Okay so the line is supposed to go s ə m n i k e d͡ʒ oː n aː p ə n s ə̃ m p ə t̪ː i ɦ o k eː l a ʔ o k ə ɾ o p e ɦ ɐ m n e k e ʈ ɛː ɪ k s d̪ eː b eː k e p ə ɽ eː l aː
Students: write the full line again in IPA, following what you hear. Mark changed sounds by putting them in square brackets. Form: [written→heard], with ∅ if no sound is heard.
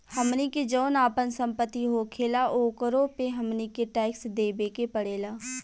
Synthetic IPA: [s→h] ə m n i k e d͡ʒ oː n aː p ə n s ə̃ m p ə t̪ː i ɦ o [k→kʰ] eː l a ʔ o k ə ɾ o p e ɦ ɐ m n [e→i] k e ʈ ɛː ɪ k s d̪ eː b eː k e p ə ɽ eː l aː